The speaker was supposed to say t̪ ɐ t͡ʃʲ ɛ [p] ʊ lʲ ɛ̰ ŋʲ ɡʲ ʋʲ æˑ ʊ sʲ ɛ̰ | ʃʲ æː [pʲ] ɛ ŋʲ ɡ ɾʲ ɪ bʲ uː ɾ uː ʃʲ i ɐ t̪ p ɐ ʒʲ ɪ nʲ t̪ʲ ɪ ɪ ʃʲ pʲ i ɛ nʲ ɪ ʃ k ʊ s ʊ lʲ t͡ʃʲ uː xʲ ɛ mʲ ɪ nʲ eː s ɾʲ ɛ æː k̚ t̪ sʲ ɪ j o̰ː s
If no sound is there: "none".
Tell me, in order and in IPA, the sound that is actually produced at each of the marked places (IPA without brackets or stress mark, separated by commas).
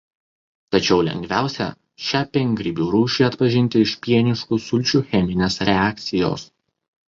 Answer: none, pʲ